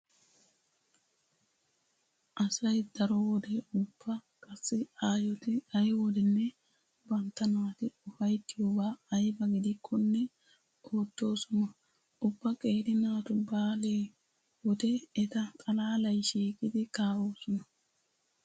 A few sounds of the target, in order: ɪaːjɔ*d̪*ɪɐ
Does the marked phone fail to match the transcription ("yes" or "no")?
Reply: yes